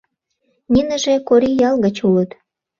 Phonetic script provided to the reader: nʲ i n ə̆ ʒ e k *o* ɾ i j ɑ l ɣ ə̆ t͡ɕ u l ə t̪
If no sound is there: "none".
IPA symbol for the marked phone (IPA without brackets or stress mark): o